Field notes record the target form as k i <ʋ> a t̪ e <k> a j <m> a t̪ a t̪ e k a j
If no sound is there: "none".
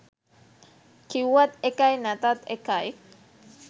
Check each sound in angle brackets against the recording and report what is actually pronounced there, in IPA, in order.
w, k, n

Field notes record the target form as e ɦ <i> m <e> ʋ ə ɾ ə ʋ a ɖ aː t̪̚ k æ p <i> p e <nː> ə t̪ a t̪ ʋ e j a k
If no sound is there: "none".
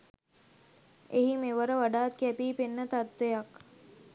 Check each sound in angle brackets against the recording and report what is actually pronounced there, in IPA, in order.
i, e, iː, nː

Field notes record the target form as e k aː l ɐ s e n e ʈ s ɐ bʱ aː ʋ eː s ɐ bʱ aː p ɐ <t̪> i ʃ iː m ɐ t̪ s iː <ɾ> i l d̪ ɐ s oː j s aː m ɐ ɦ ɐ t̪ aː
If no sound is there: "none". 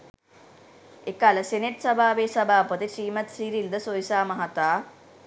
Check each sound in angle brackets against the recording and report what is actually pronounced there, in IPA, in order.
t̪, ɾ

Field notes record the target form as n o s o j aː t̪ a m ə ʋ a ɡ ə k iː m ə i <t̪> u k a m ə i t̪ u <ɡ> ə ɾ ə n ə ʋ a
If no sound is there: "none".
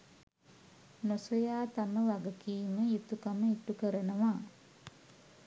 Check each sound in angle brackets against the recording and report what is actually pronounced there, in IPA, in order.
t̪, k

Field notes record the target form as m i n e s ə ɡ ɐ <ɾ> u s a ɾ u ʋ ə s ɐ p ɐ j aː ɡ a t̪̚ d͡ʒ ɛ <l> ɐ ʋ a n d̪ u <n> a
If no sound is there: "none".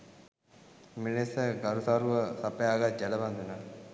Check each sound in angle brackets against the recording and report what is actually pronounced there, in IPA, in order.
ɾ, l, n

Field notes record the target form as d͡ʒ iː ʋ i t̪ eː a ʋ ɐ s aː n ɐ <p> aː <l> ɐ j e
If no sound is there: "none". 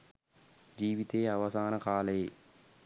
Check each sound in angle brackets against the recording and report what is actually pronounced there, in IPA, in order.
k, l

